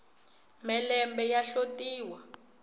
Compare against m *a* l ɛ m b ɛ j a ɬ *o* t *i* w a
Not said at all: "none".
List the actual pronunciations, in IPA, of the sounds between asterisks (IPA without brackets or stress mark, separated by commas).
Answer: ɛ, o, iː